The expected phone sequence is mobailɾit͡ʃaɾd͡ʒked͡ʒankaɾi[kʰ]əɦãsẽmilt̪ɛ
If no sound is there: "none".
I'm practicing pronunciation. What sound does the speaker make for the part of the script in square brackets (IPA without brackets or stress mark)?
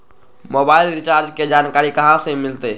k